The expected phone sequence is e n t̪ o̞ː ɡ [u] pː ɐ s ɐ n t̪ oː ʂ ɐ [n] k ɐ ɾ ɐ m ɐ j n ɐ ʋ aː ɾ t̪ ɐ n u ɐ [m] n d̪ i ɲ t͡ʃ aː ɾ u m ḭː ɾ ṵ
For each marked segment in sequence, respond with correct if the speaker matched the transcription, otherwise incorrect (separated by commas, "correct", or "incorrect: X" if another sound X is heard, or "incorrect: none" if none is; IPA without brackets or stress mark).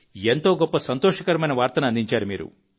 incorrect: ɔ, incorrect: none, incorrect: none